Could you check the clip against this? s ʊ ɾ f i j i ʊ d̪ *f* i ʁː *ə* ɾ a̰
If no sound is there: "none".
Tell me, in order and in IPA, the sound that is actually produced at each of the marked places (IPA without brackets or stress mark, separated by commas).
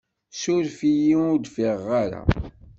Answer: f, a